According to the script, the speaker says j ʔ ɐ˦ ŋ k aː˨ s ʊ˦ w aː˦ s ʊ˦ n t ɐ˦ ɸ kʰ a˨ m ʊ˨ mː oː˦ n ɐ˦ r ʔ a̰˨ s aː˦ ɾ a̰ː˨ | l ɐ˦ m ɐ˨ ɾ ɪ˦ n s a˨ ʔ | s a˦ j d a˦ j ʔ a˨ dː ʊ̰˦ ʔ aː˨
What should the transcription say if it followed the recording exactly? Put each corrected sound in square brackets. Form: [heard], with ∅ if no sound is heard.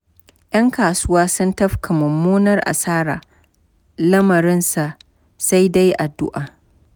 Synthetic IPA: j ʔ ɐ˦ ŋ k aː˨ s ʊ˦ w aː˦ s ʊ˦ n t ɐ˦ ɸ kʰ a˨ m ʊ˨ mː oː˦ n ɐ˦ r ʔ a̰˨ s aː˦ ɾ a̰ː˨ | l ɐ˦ m ɐ˨ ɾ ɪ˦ n s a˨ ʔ | s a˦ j d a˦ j ʔ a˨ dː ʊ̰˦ ʔ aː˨